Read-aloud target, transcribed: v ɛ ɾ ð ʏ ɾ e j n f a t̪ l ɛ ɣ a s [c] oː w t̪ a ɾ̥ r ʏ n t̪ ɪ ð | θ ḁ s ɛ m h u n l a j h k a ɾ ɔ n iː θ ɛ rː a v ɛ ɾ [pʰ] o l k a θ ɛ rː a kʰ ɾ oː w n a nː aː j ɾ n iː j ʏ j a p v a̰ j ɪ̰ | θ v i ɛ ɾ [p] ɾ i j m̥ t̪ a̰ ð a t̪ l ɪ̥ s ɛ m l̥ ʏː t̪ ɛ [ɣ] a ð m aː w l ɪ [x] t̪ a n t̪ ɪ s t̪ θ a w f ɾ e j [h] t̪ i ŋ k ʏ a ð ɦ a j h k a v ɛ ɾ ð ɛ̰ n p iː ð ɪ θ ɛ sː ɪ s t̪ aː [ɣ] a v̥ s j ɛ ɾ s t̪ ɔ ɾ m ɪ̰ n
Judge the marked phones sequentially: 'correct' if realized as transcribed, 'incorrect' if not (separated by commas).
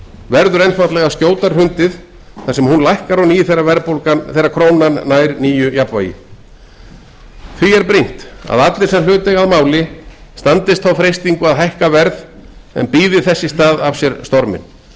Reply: correct, incorrect, correct, correct, incorrect, incorrect, incorrect